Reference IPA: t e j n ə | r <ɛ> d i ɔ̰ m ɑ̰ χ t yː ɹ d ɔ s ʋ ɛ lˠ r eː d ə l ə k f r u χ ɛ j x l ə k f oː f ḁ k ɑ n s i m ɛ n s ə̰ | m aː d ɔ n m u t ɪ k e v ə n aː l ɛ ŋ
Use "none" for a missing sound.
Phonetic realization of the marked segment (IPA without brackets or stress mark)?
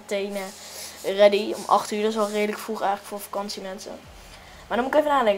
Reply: ɛ